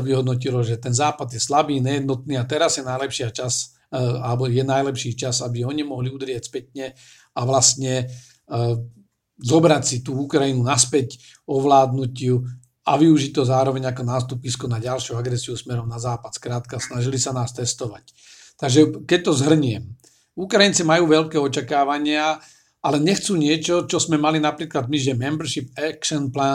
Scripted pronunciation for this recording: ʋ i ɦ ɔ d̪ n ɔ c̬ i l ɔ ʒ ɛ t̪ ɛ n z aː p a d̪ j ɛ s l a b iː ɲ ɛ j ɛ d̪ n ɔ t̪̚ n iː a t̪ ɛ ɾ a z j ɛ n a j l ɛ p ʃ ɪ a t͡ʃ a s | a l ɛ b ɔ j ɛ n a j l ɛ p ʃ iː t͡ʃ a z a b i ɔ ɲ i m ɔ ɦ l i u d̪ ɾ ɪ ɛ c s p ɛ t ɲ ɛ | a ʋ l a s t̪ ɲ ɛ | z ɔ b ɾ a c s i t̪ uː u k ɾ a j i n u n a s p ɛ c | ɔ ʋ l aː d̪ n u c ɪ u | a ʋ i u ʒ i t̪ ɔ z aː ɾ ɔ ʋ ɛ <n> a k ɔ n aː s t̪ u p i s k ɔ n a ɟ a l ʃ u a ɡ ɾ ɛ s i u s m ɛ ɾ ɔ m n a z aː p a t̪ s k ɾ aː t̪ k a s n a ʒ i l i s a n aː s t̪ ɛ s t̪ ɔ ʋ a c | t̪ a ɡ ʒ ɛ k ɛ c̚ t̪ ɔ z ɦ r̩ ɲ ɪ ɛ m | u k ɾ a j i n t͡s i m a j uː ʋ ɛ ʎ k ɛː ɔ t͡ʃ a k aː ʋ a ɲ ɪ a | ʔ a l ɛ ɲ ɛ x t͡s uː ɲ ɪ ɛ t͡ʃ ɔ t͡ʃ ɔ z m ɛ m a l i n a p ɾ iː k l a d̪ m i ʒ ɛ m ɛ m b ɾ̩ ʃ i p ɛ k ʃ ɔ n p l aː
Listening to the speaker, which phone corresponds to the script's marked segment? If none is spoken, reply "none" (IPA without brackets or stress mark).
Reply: ɲ